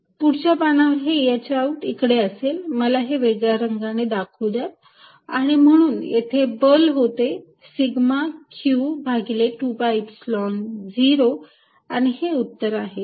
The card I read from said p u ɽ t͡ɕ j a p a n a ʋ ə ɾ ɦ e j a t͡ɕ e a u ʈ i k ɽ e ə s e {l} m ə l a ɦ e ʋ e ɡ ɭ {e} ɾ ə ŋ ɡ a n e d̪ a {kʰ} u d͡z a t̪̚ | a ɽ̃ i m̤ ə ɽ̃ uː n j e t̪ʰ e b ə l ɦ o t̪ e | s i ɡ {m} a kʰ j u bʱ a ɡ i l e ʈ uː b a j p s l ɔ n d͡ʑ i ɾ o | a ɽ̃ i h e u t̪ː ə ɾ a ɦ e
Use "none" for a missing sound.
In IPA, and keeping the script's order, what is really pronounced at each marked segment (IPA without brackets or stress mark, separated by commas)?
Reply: l, a, kʰ, m